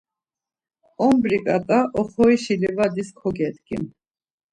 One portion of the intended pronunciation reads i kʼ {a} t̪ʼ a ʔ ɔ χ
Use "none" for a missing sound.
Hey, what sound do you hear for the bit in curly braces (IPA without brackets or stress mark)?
a